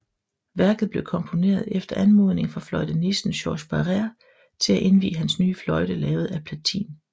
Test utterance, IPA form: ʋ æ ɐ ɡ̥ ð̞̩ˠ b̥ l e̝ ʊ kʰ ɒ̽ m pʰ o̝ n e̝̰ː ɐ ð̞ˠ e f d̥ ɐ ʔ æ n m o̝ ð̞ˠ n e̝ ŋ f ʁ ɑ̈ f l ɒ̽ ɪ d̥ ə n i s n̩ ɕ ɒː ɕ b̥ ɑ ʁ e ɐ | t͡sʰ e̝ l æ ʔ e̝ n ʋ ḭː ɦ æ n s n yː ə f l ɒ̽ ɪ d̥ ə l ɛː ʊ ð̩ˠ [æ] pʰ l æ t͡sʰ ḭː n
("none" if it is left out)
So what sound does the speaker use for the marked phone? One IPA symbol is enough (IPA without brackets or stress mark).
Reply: æ